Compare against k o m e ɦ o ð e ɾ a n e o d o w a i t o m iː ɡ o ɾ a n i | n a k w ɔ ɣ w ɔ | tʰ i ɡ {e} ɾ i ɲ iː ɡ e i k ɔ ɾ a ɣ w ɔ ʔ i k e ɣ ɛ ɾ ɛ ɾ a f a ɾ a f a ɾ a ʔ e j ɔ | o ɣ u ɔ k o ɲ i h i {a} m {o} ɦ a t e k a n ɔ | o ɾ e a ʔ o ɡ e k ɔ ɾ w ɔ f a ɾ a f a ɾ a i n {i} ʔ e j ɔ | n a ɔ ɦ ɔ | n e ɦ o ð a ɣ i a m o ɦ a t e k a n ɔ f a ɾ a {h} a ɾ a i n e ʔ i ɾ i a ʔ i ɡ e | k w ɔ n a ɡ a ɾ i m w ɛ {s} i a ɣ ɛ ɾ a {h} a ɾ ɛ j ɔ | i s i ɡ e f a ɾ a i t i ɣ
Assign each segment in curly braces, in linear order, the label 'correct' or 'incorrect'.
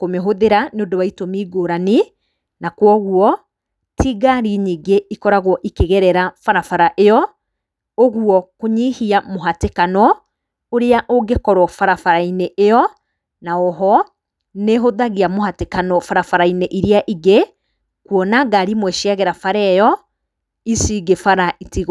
incorrect: a, correct, correct, incorrect: e, incorrect: f, incorrect: ʃ, incorrect: f

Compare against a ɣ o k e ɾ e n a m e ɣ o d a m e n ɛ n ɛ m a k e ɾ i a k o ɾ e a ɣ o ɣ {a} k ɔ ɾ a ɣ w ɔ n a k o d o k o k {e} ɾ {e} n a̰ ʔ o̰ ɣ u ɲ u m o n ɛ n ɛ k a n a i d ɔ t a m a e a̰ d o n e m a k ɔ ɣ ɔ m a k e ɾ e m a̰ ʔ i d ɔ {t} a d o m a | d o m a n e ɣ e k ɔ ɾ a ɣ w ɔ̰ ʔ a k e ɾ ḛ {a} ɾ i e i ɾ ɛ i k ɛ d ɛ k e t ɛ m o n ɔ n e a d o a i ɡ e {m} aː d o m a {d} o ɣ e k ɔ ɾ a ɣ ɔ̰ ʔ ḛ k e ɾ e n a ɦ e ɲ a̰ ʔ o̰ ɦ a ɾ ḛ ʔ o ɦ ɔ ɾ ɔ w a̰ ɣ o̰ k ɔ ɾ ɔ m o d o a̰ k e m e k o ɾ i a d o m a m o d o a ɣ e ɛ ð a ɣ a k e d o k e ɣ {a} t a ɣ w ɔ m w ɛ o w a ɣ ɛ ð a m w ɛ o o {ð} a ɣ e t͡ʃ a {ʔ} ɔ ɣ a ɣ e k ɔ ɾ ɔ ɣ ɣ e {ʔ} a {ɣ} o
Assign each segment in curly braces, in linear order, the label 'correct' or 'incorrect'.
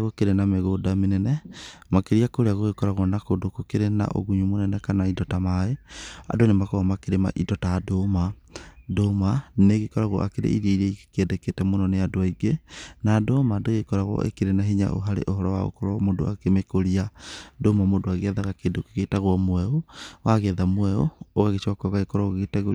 incorrect: e, correct, correct, correct, incorrect: i, incorrect: n, correct, incorrect: e, incorrect: ɣ, incorrect: k, incorrect: t, correct

